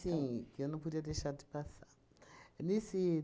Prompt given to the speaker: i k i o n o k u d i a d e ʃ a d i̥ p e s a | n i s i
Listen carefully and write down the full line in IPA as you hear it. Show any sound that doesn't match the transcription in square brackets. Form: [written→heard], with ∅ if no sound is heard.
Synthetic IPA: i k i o n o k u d i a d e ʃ a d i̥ p [e→a] s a | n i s i